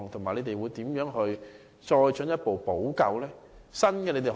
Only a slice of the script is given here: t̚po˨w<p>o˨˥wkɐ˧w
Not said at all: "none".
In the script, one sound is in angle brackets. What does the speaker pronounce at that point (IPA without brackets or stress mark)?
p